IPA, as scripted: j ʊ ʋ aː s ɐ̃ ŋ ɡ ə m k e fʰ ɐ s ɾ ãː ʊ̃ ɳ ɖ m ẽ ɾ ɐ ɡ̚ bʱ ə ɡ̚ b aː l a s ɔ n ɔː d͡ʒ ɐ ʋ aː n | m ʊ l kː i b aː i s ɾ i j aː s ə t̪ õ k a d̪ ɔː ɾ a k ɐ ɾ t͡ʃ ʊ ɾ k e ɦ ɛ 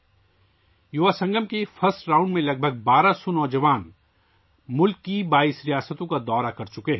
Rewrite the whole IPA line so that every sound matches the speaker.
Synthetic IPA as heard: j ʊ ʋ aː s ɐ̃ ŋ ɡ ə m k e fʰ ɐ s ɾ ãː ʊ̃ ɳ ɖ m ẽ l ɐ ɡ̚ bʱ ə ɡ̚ b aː ɾ a s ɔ n ɔː d͡ʒ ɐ ʋ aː n | m ʊ l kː i b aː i s ɾ i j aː s ə t̪ õ k a d̪ ɔː ɾ a k ɐ ɾ t͡ʃ ʊ k e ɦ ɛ